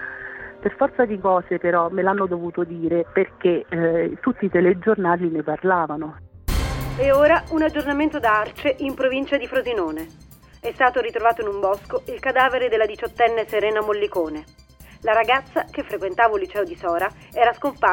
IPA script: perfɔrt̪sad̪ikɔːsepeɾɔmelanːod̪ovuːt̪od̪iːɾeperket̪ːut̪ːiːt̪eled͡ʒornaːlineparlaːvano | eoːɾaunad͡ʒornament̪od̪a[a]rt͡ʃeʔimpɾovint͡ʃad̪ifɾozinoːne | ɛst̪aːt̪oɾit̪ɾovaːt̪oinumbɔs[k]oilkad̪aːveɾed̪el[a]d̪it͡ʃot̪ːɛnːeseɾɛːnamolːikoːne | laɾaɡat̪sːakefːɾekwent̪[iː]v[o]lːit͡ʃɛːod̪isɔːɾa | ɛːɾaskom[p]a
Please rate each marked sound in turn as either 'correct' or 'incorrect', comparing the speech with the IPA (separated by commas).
correct, correct, correct, incorrect, correct, correct